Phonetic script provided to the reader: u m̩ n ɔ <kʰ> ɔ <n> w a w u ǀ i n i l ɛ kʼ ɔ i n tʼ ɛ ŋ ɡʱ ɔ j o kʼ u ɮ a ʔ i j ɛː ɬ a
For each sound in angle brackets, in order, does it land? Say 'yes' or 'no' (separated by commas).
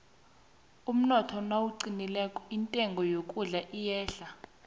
no, yes